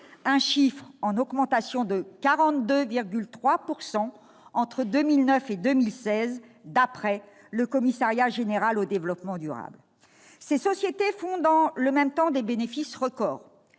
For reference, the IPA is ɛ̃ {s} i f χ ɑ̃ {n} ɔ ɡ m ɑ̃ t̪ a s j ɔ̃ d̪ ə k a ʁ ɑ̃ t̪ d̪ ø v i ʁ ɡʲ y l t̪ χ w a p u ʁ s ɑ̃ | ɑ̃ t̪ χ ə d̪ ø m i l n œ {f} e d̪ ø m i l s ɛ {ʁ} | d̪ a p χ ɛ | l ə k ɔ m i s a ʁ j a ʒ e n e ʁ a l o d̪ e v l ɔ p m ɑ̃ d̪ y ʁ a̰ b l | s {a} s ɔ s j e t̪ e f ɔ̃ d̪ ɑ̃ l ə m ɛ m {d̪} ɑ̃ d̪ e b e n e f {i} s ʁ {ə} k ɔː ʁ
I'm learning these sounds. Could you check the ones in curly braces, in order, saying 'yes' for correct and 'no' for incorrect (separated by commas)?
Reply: no, yes, yes, no, no, no, yes, yes